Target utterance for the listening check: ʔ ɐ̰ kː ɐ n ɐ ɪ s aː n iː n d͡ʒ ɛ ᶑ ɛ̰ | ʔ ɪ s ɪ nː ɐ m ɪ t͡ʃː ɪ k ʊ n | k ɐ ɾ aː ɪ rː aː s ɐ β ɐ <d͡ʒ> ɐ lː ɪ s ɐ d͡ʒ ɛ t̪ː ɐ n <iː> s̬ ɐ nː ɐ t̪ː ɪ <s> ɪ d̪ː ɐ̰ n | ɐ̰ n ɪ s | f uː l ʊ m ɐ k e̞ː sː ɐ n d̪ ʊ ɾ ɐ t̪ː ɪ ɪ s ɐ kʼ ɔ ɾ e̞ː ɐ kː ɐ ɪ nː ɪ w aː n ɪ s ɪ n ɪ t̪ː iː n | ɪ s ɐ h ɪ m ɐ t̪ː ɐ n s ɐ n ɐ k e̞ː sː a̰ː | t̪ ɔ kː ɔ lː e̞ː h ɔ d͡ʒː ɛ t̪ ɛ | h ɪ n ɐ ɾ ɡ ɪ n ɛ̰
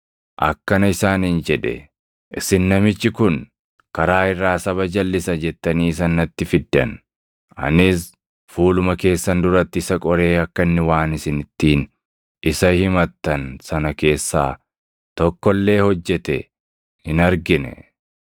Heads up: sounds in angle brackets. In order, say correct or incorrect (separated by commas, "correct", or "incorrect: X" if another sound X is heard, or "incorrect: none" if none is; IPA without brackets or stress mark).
correct, correct, incorrect: f